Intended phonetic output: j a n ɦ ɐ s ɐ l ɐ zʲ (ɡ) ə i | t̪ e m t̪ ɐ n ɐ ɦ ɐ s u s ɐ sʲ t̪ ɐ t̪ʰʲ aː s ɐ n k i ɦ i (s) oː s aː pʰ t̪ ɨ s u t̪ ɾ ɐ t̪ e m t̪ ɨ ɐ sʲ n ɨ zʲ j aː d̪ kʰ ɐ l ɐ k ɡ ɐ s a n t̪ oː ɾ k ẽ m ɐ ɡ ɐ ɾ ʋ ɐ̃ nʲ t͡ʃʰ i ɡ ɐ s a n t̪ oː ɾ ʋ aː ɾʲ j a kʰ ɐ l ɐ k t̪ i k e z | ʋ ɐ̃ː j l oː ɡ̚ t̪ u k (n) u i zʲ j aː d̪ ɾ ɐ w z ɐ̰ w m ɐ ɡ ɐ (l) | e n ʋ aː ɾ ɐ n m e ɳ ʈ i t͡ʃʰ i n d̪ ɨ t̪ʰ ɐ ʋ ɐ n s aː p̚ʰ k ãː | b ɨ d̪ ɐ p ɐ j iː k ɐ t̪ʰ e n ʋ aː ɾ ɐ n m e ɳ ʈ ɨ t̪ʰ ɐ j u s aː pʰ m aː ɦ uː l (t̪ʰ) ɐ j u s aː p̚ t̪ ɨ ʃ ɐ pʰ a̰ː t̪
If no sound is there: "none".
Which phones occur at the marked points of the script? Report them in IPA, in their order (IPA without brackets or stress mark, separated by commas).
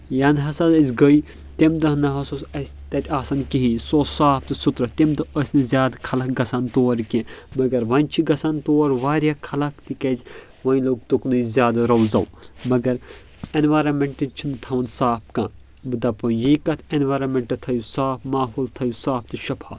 ɡ, s, n, ɾ, t̪ʰ